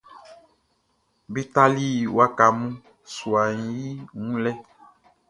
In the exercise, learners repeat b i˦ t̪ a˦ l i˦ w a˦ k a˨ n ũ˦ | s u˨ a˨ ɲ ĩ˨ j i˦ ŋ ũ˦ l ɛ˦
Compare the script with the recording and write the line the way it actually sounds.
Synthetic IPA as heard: b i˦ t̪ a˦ l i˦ w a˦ k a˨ m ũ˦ | s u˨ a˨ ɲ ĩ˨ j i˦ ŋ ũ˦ l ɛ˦